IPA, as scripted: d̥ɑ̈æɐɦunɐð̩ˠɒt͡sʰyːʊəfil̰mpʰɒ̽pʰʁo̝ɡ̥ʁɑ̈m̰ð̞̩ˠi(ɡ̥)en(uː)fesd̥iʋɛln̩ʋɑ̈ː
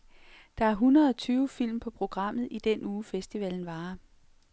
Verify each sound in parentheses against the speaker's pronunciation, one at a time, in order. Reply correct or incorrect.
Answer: incorrect, correct

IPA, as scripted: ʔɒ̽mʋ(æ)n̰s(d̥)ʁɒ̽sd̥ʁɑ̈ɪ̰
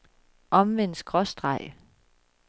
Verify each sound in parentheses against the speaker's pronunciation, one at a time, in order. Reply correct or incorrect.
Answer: incorrect, incorrect

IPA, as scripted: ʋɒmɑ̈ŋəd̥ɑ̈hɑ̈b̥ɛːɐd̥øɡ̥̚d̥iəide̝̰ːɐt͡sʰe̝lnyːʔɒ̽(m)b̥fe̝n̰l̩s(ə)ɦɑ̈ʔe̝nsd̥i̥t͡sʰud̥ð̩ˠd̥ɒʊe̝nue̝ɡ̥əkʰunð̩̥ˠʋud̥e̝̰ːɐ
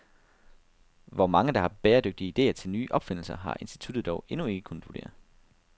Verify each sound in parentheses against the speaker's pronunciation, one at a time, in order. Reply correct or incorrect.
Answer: incorrect, incorrect

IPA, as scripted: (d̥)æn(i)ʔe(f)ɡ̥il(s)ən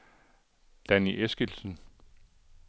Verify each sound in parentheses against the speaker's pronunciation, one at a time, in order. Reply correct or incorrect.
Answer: correct, correct, incorrect, correct

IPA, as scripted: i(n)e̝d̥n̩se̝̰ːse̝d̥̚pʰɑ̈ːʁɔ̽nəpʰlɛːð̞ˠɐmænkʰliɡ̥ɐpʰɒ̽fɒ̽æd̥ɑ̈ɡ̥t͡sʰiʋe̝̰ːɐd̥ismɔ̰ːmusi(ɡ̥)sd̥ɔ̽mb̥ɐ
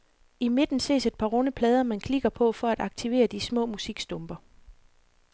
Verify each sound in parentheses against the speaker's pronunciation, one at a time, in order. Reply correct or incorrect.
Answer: incorrect, correct

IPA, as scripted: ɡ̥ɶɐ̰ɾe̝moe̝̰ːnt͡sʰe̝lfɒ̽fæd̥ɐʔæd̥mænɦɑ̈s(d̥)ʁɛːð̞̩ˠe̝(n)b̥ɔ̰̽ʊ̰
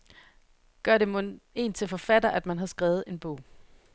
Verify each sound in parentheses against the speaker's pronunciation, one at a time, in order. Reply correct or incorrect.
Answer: incorrect, correct

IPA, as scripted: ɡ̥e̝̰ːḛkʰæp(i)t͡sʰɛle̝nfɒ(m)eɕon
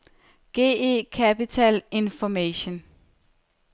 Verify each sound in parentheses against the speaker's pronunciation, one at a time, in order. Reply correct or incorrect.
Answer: correct, correct

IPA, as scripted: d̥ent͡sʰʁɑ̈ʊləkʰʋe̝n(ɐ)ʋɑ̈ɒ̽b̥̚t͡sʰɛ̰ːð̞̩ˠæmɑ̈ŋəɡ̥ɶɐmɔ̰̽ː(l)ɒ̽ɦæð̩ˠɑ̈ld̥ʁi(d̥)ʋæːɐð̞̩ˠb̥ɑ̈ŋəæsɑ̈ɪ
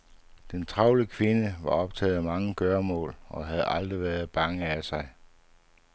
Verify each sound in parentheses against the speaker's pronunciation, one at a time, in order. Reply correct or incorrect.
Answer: incorrect, correct, incorrect

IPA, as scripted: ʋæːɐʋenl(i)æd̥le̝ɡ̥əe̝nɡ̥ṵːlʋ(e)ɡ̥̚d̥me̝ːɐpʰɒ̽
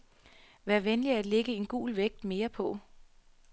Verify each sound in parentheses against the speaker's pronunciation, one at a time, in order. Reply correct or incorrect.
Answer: correct, correct

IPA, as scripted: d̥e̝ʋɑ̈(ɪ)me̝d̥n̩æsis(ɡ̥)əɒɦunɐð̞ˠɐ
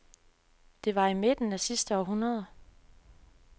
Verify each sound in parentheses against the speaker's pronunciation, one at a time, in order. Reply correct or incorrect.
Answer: incorrect, incorrect

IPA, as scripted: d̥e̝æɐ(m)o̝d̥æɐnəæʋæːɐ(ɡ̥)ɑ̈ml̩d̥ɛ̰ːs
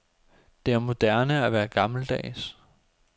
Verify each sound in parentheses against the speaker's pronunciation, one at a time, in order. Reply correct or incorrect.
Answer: correct, correct

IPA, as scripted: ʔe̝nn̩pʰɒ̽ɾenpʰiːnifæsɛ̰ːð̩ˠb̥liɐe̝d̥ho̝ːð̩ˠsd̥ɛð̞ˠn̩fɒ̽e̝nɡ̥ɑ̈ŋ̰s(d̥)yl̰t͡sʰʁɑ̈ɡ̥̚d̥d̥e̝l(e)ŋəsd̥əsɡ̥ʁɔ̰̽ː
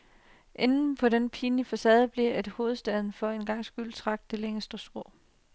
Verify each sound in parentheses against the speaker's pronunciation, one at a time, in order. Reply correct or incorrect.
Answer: incorrect, correct

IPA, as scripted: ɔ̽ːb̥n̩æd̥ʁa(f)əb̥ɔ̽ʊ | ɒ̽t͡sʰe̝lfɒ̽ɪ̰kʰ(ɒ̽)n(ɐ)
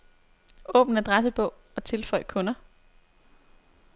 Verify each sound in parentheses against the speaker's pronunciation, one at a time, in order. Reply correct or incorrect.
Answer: incorrect, incorrect, correct

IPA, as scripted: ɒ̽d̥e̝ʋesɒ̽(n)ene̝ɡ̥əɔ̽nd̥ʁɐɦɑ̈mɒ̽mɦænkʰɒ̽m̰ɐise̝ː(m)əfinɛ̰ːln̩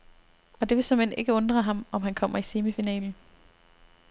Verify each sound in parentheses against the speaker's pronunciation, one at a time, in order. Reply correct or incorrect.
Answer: incorrect, correct

